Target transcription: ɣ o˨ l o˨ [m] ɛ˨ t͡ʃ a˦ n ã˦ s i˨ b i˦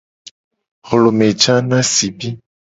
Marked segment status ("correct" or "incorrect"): correct